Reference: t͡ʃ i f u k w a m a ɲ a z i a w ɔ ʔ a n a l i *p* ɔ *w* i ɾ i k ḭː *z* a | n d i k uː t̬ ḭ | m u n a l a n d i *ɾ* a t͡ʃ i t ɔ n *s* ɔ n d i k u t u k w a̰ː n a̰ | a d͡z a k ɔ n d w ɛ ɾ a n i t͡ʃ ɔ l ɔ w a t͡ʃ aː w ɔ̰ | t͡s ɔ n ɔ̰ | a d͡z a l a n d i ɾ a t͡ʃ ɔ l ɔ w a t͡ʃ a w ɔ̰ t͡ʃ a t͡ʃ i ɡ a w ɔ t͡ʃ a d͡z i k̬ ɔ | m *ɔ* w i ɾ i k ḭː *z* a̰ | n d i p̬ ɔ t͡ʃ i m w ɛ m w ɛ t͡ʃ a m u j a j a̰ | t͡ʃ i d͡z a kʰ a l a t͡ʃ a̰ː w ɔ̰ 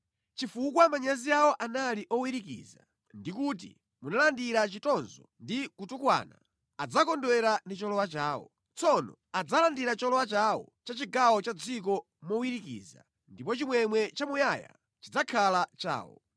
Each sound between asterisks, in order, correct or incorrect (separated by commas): incorrect, correct, correct, correct, incorrect, correct, correct